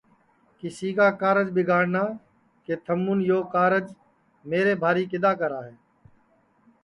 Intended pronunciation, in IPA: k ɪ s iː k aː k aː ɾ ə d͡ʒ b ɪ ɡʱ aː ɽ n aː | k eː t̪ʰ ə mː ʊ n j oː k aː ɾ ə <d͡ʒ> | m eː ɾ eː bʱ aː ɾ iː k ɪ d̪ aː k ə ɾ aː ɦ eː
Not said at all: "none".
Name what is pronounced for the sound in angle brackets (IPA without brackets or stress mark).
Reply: d͡ʒ